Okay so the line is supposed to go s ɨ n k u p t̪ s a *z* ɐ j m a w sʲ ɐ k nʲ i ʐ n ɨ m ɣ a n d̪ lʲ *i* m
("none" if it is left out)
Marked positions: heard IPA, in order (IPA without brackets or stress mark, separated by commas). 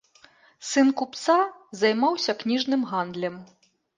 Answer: z, ɛ